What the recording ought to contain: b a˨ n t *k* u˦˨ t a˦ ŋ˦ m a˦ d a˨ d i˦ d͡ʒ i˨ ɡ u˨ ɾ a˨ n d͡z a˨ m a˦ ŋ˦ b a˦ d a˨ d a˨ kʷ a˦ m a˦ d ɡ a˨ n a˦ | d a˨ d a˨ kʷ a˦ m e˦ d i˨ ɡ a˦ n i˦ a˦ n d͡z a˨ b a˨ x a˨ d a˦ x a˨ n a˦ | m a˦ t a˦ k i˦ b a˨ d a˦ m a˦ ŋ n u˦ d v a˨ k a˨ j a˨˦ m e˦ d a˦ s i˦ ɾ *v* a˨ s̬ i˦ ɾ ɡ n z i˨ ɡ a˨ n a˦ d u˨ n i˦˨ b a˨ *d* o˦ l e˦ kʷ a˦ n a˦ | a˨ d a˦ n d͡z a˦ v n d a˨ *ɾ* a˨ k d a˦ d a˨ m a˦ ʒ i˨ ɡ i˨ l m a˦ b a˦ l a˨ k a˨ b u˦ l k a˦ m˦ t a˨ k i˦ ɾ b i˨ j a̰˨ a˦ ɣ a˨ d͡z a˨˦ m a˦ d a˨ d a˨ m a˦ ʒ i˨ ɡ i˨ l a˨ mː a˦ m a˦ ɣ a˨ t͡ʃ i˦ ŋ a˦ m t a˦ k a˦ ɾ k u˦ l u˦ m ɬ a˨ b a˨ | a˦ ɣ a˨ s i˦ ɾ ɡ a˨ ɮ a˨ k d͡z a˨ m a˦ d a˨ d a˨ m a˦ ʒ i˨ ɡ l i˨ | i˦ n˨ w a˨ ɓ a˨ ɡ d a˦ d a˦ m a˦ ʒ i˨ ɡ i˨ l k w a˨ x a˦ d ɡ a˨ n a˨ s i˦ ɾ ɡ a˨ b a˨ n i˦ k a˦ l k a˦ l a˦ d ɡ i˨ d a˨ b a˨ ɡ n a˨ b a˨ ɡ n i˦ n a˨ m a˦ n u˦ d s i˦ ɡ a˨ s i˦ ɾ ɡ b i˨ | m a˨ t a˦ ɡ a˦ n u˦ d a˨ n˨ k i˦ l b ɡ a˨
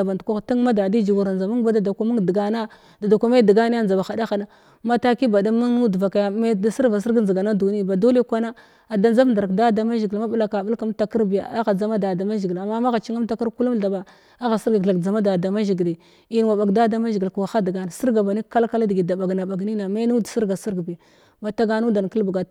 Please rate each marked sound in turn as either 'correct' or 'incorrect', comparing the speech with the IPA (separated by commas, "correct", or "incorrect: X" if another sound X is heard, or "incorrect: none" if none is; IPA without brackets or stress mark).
correct, correct, correct, correct